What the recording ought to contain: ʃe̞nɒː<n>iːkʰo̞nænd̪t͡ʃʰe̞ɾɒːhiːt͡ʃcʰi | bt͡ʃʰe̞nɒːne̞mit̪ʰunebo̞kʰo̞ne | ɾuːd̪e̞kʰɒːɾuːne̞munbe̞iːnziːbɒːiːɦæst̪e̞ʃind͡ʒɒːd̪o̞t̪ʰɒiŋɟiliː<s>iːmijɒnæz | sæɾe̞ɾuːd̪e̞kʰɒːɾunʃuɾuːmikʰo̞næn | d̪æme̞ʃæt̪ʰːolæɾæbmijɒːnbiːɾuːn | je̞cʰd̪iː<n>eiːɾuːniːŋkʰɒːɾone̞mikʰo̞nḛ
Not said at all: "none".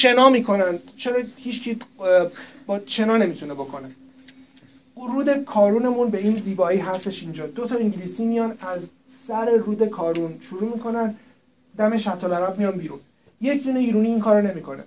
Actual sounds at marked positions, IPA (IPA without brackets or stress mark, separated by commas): m, s, n